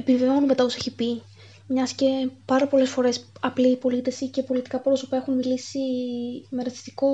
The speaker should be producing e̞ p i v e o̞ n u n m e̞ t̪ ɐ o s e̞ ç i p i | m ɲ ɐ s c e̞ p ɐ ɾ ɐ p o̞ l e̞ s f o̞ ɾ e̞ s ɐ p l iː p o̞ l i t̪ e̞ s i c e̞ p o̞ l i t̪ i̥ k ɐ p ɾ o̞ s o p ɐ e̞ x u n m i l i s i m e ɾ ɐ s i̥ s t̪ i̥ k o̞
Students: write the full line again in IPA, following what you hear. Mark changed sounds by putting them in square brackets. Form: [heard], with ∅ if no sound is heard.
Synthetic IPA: e̞ p i v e o̞ n u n m e̞ t̪ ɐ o s e̞ ç i p i | m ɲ ɐ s c e̞ p ɐ ɾ ɐ p o̞ l e̞ s f o̞ ɾ e̞ s ɐ p l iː p o̞ l i t̪ e̞ s i c e̞ p o̞ l i t̪ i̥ k ɐ p ɾ o̞ s o p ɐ e̞ x u n m i l i s i m e ɾ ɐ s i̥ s t̪ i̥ k o̞